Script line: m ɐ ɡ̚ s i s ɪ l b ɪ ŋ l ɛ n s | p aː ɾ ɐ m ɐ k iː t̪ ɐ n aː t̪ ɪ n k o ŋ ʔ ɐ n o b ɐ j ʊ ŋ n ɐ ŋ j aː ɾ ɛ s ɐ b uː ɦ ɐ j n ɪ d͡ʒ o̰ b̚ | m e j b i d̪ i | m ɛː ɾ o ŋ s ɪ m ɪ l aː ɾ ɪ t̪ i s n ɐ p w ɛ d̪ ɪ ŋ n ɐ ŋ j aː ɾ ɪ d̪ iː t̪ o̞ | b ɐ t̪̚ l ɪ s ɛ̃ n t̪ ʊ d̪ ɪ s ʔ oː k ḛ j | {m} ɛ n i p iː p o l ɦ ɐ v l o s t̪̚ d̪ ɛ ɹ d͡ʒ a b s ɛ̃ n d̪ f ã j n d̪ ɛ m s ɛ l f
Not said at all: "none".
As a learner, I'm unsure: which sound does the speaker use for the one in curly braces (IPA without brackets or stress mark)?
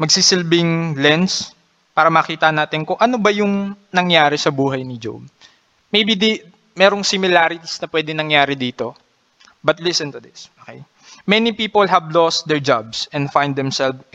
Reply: m